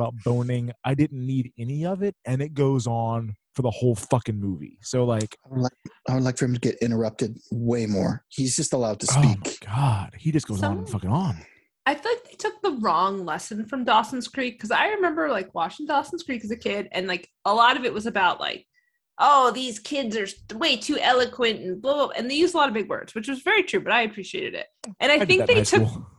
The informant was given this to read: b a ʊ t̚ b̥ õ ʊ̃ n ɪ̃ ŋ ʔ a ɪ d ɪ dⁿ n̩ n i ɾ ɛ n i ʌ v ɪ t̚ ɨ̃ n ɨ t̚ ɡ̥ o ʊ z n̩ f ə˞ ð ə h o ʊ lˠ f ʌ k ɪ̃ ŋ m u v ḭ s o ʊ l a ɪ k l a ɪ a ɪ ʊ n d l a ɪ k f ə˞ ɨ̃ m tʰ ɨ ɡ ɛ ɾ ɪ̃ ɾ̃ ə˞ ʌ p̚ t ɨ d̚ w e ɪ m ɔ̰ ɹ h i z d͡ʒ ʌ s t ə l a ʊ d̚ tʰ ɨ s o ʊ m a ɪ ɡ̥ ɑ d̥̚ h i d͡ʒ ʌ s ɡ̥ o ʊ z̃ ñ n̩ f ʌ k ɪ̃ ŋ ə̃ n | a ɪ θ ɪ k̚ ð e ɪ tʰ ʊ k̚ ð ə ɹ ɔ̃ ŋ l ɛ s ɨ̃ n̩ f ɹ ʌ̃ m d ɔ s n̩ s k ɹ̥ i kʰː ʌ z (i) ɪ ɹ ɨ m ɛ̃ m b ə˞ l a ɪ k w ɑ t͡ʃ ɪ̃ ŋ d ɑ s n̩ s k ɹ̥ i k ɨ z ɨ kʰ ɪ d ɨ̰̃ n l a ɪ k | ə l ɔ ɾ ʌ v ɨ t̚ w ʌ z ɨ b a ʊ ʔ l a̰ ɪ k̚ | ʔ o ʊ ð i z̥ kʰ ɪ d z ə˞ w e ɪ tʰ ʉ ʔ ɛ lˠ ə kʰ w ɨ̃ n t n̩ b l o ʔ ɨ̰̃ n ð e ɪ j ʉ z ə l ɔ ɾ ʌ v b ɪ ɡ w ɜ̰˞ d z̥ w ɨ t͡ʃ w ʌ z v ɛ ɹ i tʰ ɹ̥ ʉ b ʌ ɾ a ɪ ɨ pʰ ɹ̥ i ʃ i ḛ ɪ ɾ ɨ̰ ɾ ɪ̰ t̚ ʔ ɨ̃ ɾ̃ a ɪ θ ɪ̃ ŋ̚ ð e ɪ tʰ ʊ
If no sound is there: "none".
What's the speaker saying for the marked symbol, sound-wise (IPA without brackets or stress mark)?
a